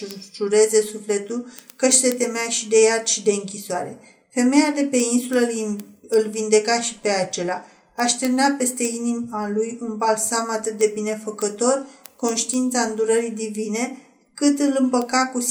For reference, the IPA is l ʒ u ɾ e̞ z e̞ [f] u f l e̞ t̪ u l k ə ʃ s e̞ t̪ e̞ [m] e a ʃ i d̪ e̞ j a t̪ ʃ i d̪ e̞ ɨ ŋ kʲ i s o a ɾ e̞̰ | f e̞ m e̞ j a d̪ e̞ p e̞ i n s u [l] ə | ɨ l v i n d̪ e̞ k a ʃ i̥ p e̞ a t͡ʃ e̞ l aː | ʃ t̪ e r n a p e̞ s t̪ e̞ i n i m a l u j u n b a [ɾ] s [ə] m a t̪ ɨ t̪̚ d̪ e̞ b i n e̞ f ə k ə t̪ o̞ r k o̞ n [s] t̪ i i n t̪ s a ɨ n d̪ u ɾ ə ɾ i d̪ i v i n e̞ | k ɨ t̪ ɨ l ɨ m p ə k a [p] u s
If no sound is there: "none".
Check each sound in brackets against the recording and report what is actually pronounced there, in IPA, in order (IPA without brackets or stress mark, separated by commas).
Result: s, m, l, l, a, ʃ, k